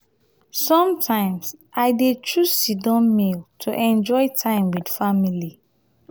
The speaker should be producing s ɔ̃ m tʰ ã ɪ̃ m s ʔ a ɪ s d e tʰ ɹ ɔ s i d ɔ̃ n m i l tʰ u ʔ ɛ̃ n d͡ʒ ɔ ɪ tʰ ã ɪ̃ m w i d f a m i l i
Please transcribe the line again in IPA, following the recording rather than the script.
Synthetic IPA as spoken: s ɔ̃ m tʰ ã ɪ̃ m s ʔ a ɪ d e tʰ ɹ u s i d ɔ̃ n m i l tʰ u ʔ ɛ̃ n d͡ʒ ɔ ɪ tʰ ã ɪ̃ m w i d f a m i l i